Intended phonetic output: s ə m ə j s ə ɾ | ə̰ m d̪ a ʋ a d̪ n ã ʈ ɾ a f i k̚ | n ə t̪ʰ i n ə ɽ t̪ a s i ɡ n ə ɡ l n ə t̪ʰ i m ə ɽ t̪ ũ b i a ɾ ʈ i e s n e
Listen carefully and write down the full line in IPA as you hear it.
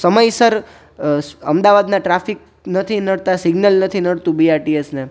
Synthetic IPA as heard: s ə m ə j s ə ɾ | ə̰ m d̪ a ʋ a d̪ n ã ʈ ɾ a f i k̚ | n ə t̪ʰ i n ə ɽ t̪ a s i ɡ n ə l n ə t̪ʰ i n ə ɽ t̪ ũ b i a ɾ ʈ i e s n e